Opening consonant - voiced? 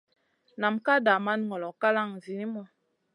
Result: yes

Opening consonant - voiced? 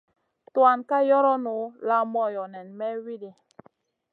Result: no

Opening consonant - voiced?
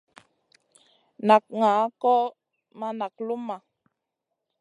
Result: yes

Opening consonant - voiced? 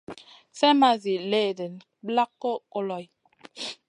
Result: no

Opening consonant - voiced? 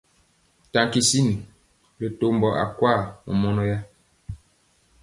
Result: no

